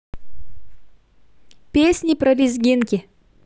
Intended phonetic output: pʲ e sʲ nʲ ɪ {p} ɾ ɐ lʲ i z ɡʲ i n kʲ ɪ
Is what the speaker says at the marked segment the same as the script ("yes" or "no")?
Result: yes